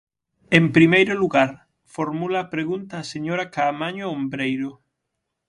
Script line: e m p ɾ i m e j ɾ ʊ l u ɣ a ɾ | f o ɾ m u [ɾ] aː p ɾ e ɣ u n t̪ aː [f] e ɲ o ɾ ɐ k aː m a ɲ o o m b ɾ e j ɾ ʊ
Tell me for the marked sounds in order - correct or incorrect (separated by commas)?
incorrect, incorrect